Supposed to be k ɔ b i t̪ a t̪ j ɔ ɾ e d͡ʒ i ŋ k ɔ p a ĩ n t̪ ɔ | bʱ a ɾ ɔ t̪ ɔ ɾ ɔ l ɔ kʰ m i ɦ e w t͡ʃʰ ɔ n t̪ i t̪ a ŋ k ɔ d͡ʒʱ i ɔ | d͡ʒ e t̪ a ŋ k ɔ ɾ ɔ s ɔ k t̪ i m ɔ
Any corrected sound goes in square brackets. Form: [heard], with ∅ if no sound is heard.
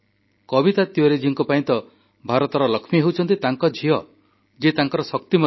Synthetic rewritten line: k ɔ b i t̪ a t̪ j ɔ ɾ e d͡ʒ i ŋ k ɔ p a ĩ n t̪ ɔ | bʱ a ɾ ɔ t̪ ɔ ɾ ɔ l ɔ kʰ m i ɦ e w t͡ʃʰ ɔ n t̪ i t̪ a ŋ k ɔ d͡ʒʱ i ɔ | d͡ʒ e t̪ a ŋ k ɔ ɾ ɔ s ɔ k t̪ i m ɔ